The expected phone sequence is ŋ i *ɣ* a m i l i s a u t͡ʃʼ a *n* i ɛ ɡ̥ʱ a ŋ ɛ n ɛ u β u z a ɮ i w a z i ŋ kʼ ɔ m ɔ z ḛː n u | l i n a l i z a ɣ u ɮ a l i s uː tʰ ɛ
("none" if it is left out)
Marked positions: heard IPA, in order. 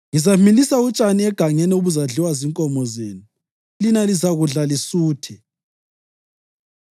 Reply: z, n

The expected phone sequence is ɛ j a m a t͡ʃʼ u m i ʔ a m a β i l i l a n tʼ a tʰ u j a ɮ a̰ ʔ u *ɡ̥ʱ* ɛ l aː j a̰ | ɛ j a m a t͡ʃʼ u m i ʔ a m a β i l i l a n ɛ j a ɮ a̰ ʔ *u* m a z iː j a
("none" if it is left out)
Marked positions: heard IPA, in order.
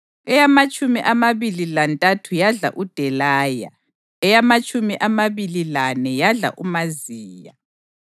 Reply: d̥ʱ, u

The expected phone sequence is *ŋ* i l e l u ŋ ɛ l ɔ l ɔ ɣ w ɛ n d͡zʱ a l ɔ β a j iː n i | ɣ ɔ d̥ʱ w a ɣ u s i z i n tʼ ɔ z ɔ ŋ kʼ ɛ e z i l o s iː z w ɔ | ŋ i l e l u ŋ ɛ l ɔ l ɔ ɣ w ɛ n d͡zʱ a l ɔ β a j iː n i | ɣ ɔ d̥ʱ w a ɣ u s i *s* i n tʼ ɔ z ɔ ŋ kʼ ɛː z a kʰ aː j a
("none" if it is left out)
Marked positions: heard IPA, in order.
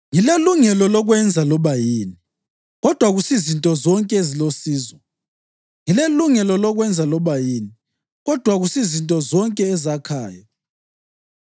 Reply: ŋ, z

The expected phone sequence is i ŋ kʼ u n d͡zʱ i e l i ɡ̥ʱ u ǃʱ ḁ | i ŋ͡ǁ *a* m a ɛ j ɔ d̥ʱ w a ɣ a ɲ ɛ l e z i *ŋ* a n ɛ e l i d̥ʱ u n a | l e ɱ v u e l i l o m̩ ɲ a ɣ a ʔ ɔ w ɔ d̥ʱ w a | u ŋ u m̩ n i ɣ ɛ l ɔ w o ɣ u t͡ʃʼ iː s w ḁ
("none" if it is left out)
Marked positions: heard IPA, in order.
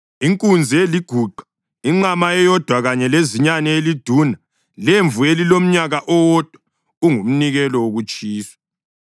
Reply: a, ɲ

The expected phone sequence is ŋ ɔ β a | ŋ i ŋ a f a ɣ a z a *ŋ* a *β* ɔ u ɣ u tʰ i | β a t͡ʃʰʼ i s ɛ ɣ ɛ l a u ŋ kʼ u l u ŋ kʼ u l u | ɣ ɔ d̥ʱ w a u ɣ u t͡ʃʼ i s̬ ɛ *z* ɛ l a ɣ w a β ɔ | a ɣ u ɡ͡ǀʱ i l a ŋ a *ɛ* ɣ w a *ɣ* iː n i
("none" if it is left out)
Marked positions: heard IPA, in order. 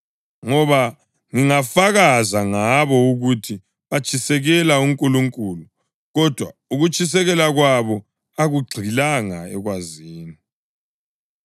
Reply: ŋ, β, ɣ, ɛ, z

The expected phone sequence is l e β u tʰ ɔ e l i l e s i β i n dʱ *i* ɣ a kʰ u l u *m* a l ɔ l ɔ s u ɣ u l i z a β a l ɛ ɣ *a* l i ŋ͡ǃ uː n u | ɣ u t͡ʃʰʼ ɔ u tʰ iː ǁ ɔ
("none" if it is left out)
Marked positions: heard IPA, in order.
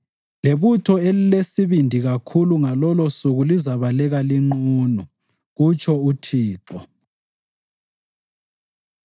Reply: i, ŋ, a

